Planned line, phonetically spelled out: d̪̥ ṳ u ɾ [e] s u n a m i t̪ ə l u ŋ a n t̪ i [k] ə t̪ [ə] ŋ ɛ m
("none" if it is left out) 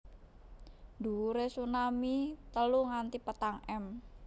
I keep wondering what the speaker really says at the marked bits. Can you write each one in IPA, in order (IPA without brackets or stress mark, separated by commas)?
e, p, a